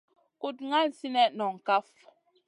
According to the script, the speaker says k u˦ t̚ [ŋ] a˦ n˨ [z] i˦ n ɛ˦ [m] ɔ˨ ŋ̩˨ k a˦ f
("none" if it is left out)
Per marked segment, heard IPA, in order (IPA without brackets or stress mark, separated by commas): ŋ, s, n